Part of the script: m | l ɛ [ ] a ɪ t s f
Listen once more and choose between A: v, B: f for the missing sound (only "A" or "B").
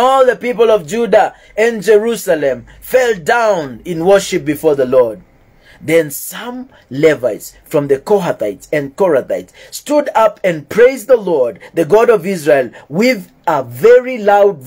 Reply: A